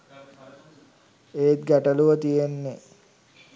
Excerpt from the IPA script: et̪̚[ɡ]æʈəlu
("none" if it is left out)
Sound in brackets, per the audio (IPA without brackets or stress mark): ɡ